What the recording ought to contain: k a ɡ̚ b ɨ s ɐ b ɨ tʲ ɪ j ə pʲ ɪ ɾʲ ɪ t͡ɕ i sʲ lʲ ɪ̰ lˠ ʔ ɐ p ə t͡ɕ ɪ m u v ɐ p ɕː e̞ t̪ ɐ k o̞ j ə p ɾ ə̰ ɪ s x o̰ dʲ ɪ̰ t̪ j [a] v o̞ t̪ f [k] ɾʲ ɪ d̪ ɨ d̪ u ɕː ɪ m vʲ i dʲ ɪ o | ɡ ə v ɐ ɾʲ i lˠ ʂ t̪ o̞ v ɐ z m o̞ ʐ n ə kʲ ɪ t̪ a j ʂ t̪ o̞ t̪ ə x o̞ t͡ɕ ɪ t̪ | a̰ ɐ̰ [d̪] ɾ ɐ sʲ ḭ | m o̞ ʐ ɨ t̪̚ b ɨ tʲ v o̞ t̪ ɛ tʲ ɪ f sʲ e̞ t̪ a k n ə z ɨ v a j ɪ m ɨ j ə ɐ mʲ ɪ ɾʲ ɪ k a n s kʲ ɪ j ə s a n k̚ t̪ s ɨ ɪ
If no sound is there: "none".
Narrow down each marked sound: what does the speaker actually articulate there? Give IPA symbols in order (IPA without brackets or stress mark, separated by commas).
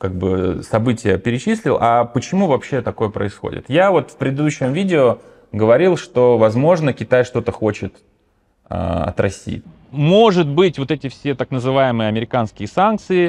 a, p, t̪